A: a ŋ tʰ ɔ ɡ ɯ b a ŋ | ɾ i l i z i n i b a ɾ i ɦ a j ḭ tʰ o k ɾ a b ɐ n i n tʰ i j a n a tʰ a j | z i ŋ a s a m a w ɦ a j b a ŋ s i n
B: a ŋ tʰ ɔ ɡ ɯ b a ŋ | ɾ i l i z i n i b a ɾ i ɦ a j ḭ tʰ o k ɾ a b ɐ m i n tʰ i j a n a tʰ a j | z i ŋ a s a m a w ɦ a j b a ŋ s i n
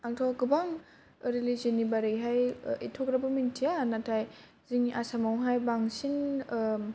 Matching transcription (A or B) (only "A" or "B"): B